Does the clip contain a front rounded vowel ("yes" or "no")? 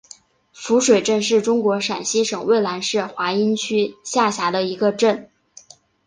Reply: yes